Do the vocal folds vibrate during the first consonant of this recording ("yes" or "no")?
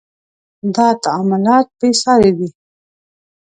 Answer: yes